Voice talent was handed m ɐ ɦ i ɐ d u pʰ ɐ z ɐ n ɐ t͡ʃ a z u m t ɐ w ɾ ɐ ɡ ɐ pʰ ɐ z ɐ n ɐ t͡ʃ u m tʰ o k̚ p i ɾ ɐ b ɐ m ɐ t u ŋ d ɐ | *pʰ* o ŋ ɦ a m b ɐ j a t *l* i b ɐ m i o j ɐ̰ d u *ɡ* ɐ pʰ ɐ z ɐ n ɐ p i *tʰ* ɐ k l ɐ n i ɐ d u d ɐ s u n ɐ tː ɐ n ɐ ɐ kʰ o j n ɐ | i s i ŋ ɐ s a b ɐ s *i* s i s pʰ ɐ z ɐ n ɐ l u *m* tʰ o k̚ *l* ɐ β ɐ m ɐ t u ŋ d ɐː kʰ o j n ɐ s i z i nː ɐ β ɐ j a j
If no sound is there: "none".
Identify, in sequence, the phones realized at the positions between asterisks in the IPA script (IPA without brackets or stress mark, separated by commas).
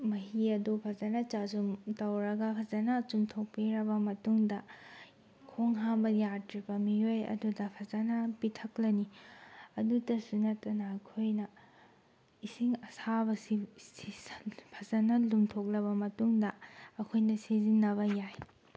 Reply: kʰ, ɾ, d, tʰ, i, m, l